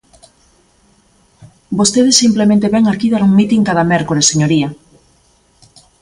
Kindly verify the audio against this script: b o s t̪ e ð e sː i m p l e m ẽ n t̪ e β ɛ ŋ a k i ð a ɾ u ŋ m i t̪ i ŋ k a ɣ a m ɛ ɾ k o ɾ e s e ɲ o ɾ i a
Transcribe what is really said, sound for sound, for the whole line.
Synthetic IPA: b o s t̪ e ð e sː i m p l e m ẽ n t̪ e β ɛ ŋ a k i ð a ɾ u ŋ m i t̪ i ŋ k a ð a m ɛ ɾ k o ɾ e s e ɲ o ɾ i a